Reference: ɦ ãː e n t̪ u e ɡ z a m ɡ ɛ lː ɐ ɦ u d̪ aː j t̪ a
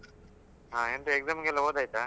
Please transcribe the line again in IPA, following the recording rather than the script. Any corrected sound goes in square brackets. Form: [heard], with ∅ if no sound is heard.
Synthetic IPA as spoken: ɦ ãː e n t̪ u e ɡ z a m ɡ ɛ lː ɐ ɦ [o] d̪ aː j t̪ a